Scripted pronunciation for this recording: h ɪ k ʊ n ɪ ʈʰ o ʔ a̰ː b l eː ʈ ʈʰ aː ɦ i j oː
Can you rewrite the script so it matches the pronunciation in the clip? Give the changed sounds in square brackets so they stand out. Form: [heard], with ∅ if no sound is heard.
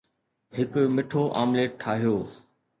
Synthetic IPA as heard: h ɪ k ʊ [m] ɪ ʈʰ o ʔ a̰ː [m] l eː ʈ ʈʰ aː ɦ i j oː